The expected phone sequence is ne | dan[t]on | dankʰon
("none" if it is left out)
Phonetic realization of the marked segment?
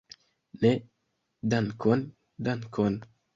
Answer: k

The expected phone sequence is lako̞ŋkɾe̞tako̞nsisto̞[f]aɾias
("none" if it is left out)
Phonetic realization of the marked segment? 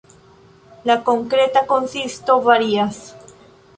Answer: v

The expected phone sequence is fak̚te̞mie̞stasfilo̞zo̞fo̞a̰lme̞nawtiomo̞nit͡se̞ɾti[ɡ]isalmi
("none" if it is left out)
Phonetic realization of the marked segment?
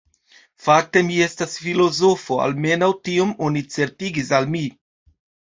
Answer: ɡ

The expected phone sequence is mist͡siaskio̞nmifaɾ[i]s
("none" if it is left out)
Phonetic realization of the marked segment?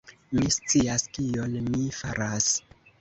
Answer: a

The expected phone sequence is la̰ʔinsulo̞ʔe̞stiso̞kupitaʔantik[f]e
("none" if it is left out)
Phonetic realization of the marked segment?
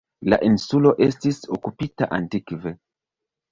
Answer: v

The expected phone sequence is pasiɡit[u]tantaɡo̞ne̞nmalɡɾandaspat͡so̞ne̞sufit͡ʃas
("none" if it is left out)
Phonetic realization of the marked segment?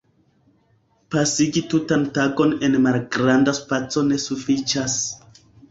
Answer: u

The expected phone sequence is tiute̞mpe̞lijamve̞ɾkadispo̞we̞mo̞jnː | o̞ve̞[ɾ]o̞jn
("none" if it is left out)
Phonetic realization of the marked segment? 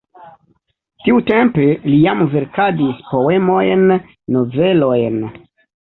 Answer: l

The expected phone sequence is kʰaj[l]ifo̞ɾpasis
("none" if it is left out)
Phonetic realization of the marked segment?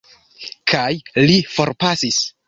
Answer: l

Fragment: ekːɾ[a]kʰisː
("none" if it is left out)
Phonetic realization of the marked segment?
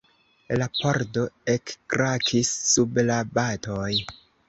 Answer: a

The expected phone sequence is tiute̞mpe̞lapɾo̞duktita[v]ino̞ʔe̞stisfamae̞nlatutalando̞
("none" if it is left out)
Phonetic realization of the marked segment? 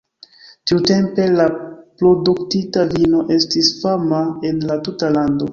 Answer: v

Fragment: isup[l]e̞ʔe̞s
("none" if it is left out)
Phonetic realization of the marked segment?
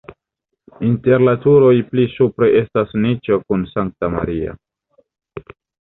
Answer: ɾ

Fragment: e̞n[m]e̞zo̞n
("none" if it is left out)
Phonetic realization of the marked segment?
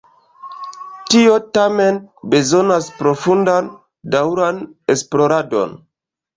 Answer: b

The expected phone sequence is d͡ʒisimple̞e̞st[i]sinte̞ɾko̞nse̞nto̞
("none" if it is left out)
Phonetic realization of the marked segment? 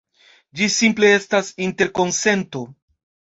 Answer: a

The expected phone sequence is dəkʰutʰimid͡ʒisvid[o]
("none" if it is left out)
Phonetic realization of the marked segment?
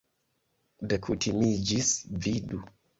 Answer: u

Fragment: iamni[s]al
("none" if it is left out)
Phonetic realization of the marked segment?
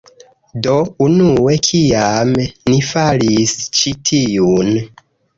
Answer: f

